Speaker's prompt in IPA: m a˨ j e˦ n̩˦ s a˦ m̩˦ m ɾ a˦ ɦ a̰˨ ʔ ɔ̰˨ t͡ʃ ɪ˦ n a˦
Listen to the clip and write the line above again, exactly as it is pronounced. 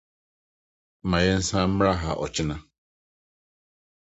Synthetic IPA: m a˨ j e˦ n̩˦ s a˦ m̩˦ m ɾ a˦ ɦ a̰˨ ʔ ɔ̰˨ t͡ʃ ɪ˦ n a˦